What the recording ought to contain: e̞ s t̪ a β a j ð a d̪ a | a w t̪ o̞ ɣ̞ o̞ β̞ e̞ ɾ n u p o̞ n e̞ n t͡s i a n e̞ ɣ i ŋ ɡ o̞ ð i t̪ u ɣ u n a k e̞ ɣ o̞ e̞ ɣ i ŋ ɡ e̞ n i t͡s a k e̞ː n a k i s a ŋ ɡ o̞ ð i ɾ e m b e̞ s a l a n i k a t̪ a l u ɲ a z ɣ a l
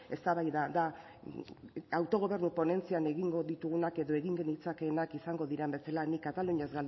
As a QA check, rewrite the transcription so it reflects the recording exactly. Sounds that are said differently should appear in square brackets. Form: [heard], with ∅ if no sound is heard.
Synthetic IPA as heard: e̞ s t̪ a β a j ð a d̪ a | a w t̪ o̞ ɣ̞ o̞ β̞ e̞ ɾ n u p o̞ n e̞ n t͡s i a n e̞ ɣ i ŋ ɡ o̞ ð i t̪ u ɣ u n a k e̞ [ð] o̞ e̞ ɣ i ŋ ɡ e̞ n i t͡s a k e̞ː n a k i s a ŋ ɡ o̞ ð i ɾ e m b e̞ s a l a n i k a t̪ a l u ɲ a z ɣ a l